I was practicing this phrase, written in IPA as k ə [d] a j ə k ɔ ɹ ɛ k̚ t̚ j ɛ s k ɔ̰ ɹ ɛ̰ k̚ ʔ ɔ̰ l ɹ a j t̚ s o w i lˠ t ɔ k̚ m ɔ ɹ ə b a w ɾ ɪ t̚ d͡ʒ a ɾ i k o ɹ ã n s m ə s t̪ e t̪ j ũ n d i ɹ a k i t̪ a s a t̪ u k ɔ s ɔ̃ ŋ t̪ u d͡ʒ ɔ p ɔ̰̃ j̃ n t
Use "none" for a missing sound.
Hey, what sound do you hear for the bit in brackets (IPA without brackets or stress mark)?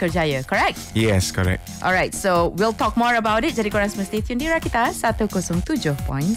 d͡ʒ